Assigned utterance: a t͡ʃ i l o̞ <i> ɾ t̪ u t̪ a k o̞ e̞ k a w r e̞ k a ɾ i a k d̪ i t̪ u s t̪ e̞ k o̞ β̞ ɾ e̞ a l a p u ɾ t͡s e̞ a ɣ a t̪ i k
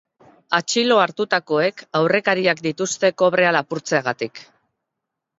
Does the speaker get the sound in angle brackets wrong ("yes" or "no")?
yes